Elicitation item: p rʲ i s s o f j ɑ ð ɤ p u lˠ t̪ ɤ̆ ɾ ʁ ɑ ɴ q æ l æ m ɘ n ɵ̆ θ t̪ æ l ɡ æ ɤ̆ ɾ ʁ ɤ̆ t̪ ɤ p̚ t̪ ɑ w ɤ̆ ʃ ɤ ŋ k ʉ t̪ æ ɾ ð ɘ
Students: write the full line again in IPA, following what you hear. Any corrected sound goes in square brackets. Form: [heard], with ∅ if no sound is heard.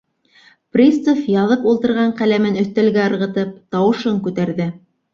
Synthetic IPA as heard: p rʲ i s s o f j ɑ ð ɤ p u lˠ t̪ ɤ̆ ɾ ʁ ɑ ɴ q æ l æ m ɘ n ɵ̆ θ t̪ æ l ɡ æ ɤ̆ ɾ ʁ ɤ̆ t̪ ɤ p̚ t̪ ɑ w ɤ̆ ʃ ɤ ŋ k ʉ t̪ æ ɾ ð ɘ